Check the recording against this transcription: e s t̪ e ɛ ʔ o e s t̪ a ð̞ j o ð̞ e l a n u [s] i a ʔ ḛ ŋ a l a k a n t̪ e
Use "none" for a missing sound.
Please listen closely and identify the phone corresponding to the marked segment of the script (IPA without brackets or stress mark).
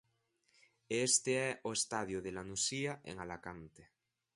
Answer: s